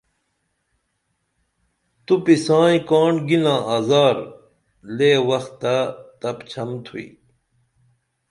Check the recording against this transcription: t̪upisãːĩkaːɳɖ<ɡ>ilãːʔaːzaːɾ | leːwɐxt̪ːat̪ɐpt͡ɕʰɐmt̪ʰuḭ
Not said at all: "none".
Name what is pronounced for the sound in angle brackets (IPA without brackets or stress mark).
ɡ